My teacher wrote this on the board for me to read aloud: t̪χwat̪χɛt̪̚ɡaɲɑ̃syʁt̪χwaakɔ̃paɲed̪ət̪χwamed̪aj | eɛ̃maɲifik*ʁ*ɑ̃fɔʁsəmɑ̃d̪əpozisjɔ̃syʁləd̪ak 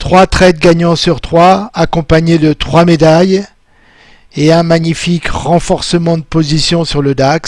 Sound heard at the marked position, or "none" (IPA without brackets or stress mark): ʁ